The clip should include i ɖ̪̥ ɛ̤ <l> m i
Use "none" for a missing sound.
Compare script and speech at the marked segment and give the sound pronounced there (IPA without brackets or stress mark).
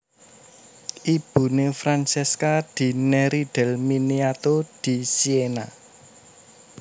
l